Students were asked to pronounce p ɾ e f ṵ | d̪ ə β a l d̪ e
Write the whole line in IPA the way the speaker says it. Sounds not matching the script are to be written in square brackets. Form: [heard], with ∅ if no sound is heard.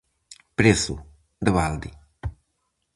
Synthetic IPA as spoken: p ɾ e [s] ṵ | d̪ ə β a l d̪ [i]